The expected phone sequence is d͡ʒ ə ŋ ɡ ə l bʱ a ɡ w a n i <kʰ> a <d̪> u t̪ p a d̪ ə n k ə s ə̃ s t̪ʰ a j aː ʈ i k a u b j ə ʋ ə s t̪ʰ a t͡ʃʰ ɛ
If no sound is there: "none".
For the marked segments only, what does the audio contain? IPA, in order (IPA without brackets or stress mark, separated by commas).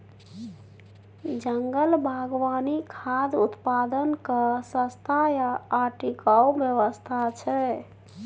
kʰ, d̪